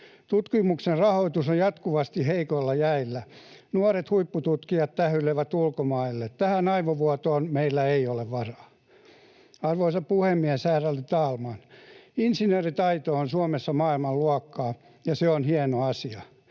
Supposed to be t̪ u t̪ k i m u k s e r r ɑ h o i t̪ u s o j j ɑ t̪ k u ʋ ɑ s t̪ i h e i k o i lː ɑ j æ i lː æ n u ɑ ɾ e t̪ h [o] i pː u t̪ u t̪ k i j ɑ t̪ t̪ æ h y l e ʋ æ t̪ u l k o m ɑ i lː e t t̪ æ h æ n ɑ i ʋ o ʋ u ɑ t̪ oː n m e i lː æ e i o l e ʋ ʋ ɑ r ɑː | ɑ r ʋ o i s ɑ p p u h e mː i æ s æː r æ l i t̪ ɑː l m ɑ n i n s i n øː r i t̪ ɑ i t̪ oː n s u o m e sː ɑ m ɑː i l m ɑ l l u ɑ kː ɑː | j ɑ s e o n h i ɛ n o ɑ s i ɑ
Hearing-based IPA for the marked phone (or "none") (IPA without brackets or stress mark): u